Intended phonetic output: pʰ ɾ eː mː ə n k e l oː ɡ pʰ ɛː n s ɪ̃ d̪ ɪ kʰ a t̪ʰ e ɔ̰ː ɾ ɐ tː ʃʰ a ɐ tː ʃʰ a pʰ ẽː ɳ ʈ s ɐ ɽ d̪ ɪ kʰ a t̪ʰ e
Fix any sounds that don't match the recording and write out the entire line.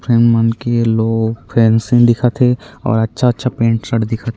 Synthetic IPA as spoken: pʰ ɾ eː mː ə n k e l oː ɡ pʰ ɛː n s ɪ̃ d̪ ɪ kʰ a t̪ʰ e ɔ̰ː ɾ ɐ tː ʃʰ a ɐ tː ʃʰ a p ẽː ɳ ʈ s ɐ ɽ d̪ ɪ kʰ a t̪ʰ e